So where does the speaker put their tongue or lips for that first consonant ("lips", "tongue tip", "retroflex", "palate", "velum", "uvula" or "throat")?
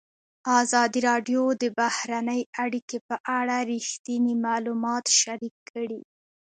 tongue tip